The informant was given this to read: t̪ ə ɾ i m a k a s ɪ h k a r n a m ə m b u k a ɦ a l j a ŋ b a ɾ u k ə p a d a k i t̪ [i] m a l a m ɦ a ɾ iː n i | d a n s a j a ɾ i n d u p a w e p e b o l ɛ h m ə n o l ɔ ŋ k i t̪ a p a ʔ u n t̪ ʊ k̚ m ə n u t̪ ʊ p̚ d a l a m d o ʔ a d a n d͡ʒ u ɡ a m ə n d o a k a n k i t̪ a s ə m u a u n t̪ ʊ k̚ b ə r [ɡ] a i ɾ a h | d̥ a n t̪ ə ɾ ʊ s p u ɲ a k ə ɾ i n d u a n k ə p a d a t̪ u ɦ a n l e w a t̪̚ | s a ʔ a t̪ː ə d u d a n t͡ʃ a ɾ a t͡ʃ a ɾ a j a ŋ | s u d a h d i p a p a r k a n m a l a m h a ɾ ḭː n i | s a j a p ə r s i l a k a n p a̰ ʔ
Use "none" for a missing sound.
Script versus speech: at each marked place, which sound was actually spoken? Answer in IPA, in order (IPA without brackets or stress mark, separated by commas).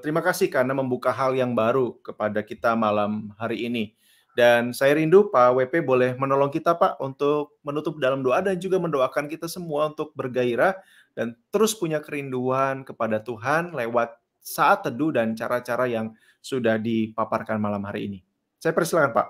a, ɡ